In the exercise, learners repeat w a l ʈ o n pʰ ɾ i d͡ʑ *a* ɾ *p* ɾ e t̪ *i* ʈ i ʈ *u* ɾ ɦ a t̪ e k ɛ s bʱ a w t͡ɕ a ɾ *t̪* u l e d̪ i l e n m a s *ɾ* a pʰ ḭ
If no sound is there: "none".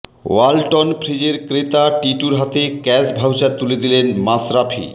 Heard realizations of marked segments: e, k, a, u, t̪, ɾ

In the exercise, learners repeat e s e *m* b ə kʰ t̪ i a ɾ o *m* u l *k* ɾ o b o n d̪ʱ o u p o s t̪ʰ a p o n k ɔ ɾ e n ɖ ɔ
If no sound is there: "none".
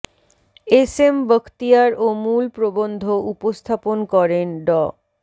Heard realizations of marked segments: m, m, p

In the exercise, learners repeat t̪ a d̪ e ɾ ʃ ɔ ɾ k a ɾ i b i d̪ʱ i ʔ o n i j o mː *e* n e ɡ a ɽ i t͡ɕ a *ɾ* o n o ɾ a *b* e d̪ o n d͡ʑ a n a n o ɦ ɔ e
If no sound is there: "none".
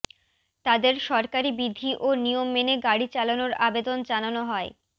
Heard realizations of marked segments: e, l, b

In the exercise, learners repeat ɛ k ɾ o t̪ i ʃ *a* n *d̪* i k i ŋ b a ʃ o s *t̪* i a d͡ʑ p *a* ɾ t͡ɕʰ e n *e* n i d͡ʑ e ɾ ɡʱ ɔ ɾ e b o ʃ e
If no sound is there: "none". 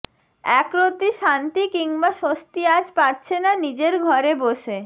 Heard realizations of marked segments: a, t̪, t̪, a, a

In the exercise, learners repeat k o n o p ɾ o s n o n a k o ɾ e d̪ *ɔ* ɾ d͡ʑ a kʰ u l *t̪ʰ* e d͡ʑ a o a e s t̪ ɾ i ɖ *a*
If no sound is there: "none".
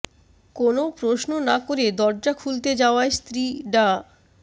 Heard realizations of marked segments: ɔ, t̪, a

